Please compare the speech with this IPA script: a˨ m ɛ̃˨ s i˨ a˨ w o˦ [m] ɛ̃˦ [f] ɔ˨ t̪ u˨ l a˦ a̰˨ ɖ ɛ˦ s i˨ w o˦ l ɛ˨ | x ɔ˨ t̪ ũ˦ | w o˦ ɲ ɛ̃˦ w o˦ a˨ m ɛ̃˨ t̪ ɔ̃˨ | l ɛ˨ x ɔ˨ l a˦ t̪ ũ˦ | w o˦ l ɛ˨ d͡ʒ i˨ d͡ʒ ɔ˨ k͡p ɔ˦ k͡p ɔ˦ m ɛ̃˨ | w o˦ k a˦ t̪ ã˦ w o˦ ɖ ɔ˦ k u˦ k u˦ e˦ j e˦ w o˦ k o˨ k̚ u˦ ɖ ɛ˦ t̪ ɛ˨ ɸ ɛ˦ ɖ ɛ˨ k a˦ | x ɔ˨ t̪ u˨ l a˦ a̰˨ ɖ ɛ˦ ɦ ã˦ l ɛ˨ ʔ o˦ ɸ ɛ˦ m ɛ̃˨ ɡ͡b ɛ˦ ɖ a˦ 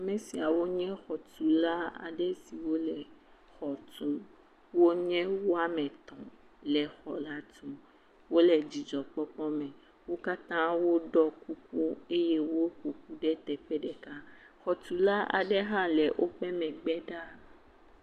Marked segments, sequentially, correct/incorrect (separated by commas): incorrect, incorrect